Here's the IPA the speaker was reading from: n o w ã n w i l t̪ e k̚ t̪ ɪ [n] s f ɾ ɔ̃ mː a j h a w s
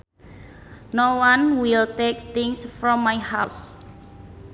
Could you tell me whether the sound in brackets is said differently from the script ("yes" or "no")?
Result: yes